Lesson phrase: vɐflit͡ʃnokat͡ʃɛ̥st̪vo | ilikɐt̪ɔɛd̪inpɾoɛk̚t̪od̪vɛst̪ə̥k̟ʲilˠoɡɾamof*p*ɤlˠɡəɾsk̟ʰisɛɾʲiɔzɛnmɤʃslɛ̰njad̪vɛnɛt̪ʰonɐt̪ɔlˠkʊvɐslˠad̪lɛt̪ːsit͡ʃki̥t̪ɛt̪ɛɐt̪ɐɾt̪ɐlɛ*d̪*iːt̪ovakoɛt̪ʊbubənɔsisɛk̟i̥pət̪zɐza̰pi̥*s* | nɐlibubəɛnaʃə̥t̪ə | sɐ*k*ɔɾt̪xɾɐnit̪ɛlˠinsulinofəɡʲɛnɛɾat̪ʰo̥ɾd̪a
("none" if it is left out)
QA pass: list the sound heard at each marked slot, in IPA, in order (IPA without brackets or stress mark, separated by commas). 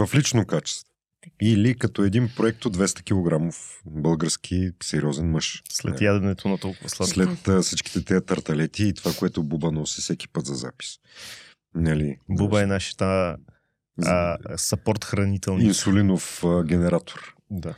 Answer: b, t̪, s, p